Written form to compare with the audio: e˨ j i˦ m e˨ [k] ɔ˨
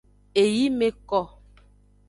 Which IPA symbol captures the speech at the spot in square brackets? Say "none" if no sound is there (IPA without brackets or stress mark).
k